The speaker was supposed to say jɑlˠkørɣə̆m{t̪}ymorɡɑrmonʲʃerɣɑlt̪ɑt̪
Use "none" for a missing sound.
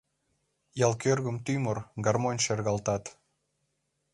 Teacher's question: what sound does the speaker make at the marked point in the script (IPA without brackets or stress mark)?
t̪